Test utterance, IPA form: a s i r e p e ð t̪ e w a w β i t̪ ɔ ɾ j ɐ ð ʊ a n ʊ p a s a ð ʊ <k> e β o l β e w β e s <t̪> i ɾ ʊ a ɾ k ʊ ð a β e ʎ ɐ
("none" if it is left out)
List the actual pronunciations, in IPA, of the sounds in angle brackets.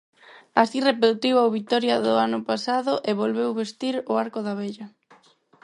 ʔ, t̪

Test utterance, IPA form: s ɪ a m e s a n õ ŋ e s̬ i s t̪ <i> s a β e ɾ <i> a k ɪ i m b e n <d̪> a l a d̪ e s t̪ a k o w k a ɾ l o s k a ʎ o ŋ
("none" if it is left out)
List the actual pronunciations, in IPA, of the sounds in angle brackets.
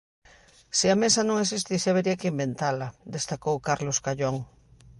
i, i, t̪

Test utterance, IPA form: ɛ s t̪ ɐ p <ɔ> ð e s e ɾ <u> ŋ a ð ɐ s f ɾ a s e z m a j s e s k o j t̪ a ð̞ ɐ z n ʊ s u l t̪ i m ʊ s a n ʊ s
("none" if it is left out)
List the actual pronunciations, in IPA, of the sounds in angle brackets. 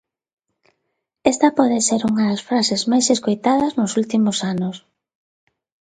ɔ, u

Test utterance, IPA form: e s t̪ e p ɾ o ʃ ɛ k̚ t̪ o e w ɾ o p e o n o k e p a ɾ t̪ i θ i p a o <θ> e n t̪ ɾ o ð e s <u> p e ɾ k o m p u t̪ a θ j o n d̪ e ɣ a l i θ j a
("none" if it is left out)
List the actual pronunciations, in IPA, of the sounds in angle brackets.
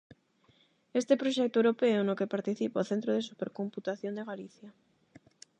θ, u

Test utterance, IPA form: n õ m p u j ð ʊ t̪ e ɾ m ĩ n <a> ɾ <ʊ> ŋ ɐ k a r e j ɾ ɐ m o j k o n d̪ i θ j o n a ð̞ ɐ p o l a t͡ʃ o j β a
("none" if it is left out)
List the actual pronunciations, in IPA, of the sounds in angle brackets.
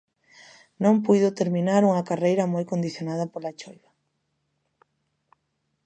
a, u

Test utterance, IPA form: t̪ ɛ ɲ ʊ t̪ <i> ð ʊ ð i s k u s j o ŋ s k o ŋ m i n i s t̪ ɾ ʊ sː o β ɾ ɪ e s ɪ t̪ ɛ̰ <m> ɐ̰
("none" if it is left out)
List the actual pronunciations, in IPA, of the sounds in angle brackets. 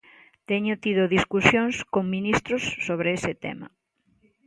i, m

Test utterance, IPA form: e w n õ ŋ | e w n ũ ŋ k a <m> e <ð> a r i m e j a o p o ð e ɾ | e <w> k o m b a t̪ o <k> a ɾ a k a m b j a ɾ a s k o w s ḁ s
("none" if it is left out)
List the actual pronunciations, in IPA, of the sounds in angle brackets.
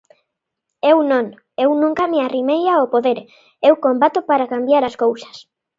m, none, w, p

